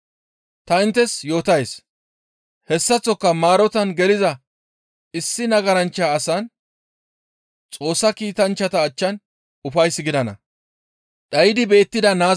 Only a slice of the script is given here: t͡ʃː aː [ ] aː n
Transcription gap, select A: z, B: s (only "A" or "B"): B